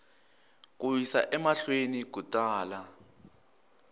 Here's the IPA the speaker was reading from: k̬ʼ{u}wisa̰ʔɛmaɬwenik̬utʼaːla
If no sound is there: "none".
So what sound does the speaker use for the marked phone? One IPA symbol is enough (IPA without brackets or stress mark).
u